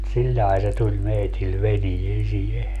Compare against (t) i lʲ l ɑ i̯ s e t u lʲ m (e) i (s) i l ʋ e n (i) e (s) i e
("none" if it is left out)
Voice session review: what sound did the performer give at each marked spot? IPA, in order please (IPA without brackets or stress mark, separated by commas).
s, e, t, i, s